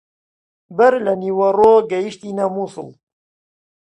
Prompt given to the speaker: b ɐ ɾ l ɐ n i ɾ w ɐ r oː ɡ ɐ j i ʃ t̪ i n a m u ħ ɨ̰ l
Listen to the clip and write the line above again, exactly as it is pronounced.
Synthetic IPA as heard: b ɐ ɾ l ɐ n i w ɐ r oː ɡ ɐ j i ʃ t̪ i n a m u s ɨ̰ l